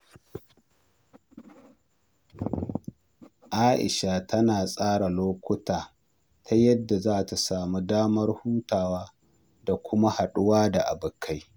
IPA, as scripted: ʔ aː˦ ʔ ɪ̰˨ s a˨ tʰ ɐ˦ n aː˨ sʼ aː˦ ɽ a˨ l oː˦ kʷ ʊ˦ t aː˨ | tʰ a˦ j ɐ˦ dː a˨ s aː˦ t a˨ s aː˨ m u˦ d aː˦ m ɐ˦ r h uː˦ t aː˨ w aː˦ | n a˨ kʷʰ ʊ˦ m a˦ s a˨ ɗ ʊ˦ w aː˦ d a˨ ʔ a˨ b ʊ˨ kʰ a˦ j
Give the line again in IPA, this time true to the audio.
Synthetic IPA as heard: ʔ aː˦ ʔ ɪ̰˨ ʃ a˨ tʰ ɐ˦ n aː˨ sʼ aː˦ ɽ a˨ l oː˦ kʷ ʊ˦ t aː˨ | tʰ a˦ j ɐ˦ dː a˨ z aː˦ t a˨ s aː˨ m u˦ d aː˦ m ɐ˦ r h uː˦ t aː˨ w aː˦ | d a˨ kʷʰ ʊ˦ m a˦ h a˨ ɗ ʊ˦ w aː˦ d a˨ ʔ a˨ b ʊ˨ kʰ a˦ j